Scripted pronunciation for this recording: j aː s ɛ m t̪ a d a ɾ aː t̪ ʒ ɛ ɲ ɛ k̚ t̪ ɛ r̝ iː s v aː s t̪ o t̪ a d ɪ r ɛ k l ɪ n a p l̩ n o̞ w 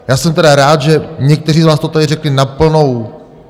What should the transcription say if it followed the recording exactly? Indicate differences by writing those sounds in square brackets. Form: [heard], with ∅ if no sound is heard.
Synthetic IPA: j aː s ɛ m t̪ [ɛ] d a ɾ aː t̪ ʒ ɛ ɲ ɛ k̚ t̪ ɛ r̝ iː [z] v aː s t̪ o t̪ a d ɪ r ɛ k l ɪ n a p l̩ n o̞ w